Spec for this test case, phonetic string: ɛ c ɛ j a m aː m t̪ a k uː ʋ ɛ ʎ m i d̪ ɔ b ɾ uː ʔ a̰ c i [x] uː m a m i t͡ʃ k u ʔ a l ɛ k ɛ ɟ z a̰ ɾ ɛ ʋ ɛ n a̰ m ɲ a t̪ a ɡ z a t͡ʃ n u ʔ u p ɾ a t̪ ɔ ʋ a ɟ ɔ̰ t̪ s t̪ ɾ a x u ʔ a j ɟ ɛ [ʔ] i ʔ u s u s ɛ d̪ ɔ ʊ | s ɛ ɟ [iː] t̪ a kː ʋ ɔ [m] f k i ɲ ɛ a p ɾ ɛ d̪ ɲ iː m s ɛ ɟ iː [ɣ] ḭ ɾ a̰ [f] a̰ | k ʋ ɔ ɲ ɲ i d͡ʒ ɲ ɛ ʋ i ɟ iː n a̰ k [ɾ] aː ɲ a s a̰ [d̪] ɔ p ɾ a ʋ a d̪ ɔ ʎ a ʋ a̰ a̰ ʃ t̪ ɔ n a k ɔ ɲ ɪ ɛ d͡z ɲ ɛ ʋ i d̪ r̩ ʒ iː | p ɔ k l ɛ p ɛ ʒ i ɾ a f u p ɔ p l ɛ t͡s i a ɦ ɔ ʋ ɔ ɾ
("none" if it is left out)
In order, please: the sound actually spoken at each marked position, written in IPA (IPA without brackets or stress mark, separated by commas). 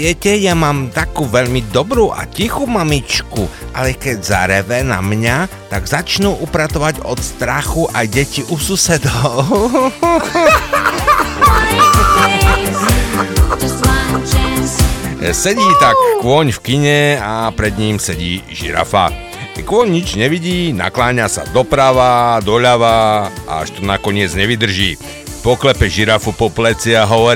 x, c, iː, ɲ, ʒ, f, l, d̪